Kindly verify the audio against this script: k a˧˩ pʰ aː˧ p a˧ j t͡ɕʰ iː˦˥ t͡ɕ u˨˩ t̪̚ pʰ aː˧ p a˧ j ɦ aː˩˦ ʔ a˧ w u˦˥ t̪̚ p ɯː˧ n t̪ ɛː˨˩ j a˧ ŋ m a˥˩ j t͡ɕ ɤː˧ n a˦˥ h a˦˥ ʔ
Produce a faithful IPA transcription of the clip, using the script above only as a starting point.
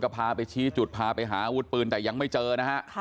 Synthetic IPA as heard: k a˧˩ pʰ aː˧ p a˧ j t͡ɕʰ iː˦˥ t͡ɕ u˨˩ t̪̚ pʰ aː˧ p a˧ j ɦ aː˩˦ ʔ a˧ w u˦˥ t̪̚ p ɯː˧ n t̪ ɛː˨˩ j a˧ ŋ m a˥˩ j t͡ɕ ɤː˧ n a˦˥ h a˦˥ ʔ